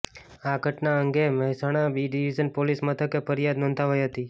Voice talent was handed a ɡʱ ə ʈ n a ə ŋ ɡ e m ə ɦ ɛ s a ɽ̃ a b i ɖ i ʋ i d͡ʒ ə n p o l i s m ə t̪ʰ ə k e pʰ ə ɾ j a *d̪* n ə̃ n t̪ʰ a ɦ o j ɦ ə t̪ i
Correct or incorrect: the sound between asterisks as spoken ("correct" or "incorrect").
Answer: correct